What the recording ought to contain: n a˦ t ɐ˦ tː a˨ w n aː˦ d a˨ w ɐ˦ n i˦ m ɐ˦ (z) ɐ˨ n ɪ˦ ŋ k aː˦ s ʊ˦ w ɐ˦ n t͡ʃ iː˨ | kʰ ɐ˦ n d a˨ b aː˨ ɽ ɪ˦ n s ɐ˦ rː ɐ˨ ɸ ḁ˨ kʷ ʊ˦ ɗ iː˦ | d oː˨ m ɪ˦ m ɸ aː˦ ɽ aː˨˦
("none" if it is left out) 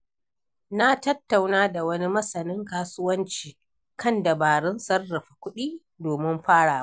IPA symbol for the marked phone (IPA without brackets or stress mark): s